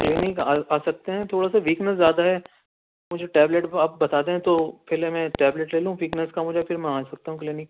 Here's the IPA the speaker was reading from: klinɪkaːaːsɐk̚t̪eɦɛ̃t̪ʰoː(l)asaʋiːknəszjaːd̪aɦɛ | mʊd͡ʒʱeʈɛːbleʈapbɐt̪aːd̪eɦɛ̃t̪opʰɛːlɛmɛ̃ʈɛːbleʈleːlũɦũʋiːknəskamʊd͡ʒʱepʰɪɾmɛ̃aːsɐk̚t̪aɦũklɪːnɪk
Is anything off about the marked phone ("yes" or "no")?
yes